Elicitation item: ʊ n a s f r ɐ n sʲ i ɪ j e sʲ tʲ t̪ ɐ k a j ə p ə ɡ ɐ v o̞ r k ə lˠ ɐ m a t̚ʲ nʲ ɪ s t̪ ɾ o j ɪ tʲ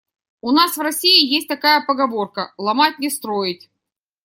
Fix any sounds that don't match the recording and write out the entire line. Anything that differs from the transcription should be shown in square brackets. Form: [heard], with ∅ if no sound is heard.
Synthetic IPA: ʊ n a s [v] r ɐ [∅] sʲ i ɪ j e sʲ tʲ t̪ ɐ k a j ə p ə ɡ ɐ v o̞ r k ə lˠ ɐ m a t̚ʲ nʲ ɪ s t̪ ɾ o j ɪ tʲ

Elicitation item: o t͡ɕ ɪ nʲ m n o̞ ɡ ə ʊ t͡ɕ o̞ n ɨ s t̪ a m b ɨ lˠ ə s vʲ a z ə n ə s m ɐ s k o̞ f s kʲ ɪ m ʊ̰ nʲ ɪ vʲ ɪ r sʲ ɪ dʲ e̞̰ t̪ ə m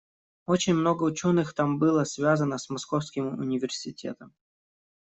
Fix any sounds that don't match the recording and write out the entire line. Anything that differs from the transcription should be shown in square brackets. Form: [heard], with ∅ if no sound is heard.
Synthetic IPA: o t͡ɕ ɪ nʲ m n o̞ ɡ ə ʊ t͡ɕ o̞ n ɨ [x] t̪ a m b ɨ lˠ ə s vʲ a z ə n ə s m ɐ s k o̞ f s kʲ ɪ m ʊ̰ nʲ ɪ vʲ ɪ r sʲ ɪ [tʲ] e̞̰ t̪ ə m

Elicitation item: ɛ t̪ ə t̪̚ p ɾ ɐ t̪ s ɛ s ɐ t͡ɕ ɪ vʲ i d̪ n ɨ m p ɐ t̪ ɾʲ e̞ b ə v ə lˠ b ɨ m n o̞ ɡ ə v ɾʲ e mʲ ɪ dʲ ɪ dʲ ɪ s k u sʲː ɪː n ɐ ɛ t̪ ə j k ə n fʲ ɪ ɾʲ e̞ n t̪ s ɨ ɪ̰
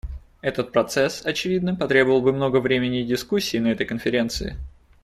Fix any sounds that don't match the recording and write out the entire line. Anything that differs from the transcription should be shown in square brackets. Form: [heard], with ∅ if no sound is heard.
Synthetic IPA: ɛ t̪ ə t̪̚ p ɾ ɐ t̪ s ɛ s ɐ t͡ɕ ɪ vʲ i d̪ n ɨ m p ɐ t̪ ɾʲ e̞ b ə v ə lˠ b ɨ m n o̞ ɡ ə v ɾʲ e mʲ ɪ [nʲ] ɪ dʲ ɪ s k u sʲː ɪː n ɐ ɛ t̪ ə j k ə n fʲ ɪ ɾʲ e̞ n t̪ s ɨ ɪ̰

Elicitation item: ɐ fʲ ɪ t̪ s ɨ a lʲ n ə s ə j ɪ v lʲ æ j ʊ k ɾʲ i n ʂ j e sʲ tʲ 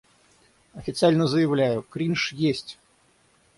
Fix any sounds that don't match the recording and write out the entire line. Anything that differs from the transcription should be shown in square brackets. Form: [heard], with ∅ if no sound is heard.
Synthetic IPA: ɐ fʲ ɪ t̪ s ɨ a lʲ n ə [z] ə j ɪ v lʲ æ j ʊ k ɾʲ i n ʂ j e sʲ tʲ

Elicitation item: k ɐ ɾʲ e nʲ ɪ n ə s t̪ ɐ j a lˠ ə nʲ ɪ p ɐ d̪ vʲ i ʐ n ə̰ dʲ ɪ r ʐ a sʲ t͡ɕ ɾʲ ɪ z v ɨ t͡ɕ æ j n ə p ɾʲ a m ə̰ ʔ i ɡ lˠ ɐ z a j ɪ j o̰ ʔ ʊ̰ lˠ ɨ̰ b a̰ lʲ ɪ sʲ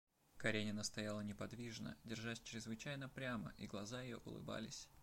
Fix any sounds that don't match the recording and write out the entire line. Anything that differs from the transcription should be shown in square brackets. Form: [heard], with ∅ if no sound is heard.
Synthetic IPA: k ɐ ɾʲ e nʲ ɪ n ə s t̪ ɐ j a lˠ ə nʲ ɪ p ɐ d̪ vʲ i ʐ n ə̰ dʲ ɪ r ʐ a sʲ t͡ɕ ɾʲ ɪ z v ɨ t͡ɕ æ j n ə p ɾʲ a m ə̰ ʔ i ɡ lˠ ɐ z a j ɪ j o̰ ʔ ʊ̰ lˠ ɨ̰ b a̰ lʲ ɪ sʲ

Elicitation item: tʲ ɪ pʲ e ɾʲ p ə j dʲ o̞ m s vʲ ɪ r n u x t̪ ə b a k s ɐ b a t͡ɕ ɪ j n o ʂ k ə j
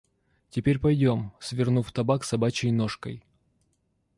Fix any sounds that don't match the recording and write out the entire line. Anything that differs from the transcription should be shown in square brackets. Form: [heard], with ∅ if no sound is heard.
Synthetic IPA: tʲ ɪ pʲ e ɾʲ p [ɐ] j dʲ o̞ m s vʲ ɪ r n u [f] t̪ [ɐ] b a k s ɐ b a t͡ɕ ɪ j n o ʂ k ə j

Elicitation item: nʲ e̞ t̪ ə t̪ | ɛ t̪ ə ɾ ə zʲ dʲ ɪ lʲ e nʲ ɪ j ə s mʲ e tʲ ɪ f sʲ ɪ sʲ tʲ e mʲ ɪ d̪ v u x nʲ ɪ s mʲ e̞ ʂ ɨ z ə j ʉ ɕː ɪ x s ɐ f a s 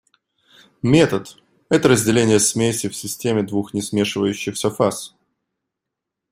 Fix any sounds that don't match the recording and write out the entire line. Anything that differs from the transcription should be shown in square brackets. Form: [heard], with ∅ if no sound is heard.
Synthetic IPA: [mʲ] e̞ t̪ ə t̪ | ɛ t̪ ə ɾ ə zʲ dʲ ɪ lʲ e nʲ ɪ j ə s mʲ e [sʲ] ɪ f sʲ ɪ sʲ tʲ e mʲ ɪ d̪ v u x nʲ ɪ s mʲ e̞ ʂ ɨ [v] ə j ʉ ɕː ɪ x s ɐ f a s

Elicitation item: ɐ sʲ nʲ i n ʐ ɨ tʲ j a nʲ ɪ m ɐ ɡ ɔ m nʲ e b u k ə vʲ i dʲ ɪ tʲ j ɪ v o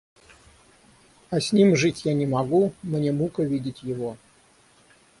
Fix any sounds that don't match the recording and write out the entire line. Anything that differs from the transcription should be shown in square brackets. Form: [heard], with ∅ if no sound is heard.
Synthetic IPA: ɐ sʲ nʲ i [m] ʐ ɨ tʲ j a nʲ ɪ m ɐ ɡ [u] m nʲ e [m] u k ə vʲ i dʲ ɪ tʲ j ɪ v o

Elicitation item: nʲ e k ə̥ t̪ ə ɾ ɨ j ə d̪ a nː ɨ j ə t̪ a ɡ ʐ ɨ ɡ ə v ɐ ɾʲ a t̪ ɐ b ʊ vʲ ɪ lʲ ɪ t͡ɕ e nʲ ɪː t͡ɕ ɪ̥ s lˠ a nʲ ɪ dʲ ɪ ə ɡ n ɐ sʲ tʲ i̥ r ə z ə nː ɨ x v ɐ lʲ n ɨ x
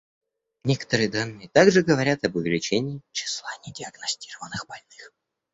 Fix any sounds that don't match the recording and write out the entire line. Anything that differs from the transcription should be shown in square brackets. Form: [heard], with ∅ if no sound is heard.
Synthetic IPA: nʲ e k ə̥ t̪ ə ɾ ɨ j ə d̪ a nː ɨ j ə t̪ a ɡ ʐ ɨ ɡ ə v ɐ ɾʲ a t̪ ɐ b ʊ vʲ ɪ lʲ ɪ t͡ɕ e nʲ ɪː t͡ɕ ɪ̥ s lˠ a nʲ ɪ dʲ ɪ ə ɡ n ɐ sʲ tʲ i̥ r ə [v] ə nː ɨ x [b] ɐ lʲ n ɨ x

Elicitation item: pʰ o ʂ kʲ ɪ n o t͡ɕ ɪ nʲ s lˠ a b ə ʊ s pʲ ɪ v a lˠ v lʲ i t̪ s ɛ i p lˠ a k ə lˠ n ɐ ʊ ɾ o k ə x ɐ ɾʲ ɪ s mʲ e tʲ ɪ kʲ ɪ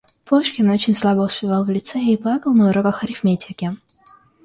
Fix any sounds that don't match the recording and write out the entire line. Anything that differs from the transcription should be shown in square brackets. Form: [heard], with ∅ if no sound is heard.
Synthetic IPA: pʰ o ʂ kʲ ɪ n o t͡ɕ ɪ nʲ s lˠ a b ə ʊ s pʲ ɪ v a lˠ v lʲ [ɪ] t̪ s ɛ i p lˠ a k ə lˠ n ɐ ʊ ɾ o k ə x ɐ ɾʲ ɪ [f] mʲ e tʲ ɪ kʲ ɪ

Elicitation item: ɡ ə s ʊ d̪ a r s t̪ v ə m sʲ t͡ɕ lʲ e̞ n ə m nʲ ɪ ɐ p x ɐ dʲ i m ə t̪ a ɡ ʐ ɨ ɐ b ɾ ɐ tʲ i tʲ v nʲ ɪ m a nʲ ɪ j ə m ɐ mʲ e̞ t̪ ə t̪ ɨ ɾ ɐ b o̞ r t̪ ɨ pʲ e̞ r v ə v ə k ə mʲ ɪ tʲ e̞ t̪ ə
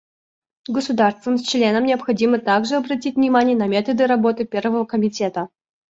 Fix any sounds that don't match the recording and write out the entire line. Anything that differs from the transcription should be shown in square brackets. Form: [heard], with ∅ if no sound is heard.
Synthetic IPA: ɡ ə s ʊ d̪ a r s t̪ v ə m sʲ t͡ɕ lʲ e̞ n ə m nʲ ɪ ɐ p x ɐ dʲ i m ə t̪ a ɡ ʐ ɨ ɐ b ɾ ɐ tʲ i tʲ v nʲ ɪ m a nʲ ɪ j ə [n] ɐ mʲ e̞ t̪ ə [d̪] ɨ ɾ ɐ b o̞ [∅] t̪ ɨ pʲ e̞ r v ə v ə k ə mʲ ɪ tʲ e̞ t̪ ə

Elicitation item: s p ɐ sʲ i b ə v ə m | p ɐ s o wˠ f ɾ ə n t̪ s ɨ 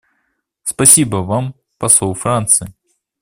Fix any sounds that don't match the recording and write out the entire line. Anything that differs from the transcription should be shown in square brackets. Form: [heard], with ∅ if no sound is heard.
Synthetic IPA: s p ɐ sʲ i b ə v [a] m | p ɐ s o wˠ f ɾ [a] n t̪ s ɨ

